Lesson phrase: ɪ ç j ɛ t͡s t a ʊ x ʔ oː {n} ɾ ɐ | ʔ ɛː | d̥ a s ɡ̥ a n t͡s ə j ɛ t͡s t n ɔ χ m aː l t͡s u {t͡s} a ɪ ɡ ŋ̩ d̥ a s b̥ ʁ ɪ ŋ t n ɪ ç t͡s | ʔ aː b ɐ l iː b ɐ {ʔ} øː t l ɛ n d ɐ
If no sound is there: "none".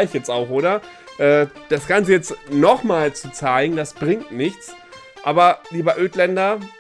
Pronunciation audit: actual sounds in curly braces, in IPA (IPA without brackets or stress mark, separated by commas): none, t͡s, ʔ